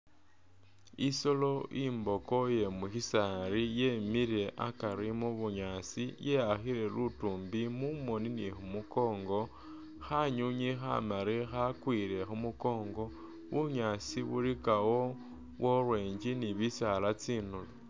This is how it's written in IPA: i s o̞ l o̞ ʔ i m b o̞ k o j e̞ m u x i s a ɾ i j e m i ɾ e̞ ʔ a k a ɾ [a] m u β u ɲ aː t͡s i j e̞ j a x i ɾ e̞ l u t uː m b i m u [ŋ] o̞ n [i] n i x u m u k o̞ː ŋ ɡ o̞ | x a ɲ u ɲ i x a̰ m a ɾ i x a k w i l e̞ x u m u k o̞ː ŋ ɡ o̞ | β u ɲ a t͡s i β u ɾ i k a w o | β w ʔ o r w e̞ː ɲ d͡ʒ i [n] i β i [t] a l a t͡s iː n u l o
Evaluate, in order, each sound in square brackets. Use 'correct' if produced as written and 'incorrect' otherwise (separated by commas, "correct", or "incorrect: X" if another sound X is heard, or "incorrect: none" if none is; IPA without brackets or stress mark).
incorrect: i, incorrect: m, correct, correct, incorrect: s